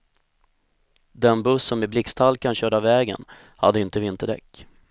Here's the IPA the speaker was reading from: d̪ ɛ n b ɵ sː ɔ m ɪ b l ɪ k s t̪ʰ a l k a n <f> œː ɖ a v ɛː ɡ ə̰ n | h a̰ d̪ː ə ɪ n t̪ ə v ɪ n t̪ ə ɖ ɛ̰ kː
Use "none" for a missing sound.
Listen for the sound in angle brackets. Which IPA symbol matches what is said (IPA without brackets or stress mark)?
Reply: ɕ